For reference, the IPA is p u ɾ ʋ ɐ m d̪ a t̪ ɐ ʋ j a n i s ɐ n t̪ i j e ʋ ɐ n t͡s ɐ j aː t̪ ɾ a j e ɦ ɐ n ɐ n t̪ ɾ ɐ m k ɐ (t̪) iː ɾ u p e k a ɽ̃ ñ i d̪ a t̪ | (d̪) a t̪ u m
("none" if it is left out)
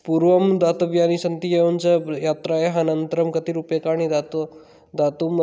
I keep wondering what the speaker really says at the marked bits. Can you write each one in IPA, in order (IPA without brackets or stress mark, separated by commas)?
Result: t̪, d̪